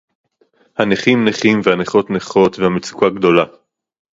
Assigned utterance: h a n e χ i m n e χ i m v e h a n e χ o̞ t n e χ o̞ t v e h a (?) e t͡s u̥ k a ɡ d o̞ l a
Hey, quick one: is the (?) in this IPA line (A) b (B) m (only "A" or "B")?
B